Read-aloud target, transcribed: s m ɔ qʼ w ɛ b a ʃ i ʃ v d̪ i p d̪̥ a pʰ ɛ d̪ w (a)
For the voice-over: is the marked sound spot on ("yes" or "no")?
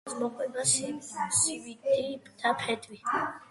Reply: no